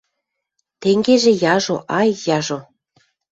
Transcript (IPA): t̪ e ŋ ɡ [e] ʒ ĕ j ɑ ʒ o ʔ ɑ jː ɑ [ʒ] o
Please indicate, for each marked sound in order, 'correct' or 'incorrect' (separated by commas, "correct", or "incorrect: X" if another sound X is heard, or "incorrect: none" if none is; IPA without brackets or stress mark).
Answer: correct, correct